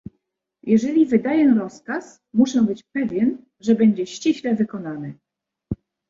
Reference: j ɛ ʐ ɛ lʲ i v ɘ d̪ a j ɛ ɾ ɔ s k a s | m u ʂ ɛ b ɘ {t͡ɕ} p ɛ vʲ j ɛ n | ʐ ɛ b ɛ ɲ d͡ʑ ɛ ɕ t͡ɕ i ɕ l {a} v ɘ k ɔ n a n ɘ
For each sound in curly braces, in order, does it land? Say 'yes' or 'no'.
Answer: yes, no

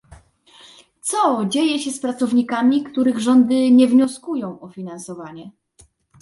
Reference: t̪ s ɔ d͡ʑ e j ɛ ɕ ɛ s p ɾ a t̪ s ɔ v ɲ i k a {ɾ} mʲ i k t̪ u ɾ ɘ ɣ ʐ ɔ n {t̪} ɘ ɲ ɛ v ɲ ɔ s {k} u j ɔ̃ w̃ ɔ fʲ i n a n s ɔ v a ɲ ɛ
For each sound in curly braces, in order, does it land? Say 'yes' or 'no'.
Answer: no, no, yes

